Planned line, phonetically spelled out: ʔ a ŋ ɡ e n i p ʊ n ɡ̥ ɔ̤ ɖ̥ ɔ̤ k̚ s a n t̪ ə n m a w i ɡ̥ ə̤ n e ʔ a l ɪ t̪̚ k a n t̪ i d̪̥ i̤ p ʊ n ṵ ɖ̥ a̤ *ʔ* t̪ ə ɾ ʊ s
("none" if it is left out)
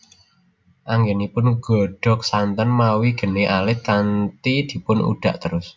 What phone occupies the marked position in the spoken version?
ʔ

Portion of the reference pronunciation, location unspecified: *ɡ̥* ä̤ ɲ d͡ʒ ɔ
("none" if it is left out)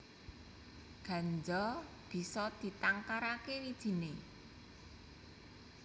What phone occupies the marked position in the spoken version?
ɡ̥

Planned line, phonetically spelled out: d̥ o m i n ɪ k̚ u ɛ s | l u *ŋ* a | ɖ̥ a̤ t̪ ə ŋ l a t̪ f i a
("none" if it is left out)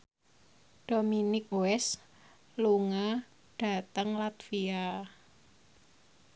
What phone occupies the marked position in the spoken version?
ŋ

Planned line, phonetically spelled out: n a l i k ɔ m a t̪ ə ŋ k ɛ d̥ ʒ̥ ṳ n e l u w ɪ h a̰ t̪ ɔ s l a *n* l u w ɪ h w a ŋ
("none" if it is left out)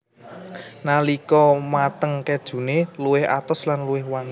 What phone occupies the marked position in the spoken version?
n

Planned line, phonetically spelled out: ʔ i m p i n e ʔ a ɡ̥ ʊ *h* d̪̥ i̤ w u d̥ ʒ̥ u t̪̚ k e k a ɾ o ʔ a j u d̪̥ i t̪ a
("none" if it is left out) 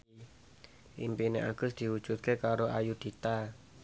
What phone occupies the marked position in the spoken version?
s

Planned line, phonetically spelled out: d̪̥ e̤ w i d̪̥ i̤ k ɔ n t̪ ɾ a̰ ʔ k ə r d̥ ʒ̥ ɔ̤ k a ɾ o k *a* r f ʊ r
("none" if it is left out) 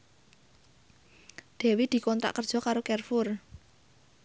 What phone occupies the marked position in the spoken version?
ɛ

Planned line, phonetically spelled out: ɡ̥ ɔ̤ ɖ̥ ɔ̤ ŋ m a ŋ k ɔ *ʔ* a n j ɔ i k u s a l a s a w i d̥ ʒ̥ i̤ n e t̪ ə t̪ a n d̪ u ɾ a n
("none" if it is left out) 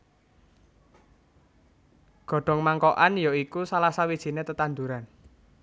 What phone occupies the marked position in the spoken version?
ʔ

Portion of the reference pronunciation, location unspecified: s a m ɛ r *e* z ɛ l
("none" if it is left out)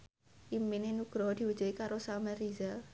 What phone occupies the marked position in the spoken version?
i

